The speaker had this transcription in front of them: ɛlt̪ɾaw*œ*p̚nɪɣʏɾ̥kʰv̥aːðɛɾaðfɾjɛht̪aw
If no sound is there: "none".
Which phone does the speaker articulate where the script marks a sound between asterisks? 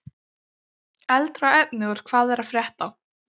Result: ɛ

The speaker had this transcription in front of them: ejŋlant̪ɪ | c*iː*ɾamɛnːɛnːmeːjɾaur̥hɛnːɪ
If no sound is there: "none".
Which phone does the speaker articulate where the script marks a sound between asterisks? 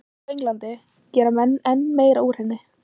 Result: ɛː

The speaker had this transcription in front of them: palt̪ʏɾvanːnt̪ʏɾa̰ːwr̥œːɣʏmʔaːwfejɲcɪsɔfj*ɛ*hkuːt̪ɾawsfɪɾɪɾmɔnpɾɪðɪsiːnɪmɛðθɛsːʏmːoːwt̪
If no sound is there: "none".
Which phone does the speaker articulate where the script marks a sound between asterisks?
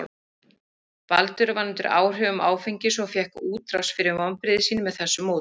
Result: ɛ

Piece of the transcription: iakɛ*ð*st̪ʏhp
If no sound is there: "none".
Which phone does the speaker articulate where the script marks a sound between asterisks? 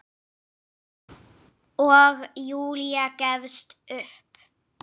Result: v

